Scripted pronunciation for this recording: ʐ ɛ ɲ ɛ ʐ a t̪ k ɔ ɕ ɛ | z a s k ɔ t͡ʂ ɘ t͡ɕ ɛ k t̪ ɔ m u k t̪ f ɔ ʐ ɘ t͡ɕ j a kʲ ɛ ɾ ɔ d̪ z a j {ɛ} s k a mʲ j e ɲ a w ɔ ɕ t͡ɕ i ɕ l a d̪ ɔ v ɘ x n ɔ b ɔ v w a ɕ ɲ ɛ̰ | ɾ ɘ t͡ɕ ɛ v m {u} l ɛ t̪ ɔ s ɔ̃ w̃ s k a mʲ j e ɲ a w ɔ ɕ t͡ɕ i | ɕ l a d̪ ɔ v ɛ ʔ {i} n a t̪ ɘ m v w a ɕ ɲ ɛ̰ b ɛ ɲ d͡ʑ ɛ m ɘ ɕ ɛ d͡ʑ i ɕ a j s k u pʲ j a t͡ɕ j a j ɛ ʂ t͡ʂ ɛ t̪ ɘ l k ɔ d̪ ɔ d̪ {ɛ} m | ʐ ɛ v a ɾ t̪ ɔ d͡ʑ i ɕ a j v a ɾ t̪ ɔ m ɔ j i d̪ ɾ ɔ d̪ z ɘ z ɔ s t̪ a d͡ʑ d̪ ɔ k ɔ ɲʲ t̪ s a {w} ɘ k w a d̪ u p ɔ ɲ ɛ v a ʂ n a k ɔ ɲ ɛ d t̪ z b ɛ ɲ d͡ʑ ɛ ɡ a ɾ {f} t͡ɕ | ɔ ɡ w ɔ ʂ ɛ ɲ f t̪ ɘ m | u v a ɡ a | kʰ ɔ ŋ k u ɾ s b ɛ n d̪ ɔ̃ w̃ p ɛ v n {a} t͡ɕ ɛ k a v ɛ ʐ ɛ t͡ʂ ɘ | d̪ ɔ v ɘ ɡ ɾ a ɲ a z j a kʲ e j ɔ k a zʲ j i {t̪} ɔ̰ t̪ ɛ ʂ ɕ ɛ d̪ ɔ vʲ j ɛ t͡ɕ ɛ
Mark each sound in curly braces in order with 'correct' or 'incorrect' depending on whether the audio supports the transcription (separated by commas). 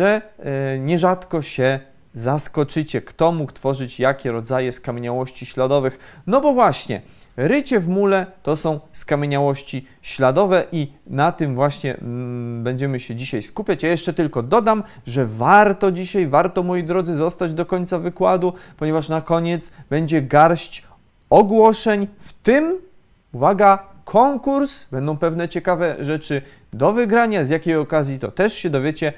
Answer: correct, correct, correct, incorrect, incorrect, incorrect, incorrect, correct